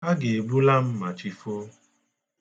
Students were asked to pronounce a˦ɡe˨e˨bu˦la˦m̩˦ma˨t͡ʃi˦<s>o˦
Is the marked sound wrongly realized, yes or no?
yes